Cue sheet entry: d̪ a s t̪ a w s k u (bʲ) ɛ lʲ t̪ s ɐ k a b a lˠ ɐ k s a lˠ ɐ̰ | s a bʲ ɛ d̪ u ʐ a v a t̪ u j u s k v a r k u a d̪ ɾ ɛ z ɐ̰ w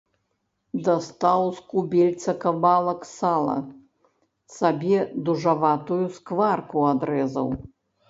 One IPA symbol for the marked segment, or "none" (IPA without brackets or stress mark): bʲ